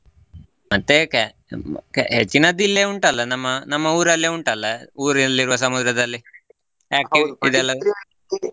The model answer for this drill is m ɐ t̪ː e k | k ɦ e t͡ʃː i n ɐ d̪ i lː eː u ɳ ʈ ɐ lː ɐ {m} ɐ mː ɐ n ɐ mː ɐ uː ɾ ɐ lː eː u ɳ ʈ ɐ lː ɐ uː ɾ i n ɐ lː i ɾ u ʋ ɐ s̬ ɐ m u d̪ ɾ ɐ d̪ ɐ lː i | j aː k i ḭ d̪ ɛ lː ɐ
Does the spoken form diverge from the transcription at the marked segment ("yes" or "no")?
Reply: yes